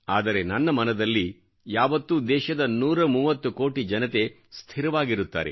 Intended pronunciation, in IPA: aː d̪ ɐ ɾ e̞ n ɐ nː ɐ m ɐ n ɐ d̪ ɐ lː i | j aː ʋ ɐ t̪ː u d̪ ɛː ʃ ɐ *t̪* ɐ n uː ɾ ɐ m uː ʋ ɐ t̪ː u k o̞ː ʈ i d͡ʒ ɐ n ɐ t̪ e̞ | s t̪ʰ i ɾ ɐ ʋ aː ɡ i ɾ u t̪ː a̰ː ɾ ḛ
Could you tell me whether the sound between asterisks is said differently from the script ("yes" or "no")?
yes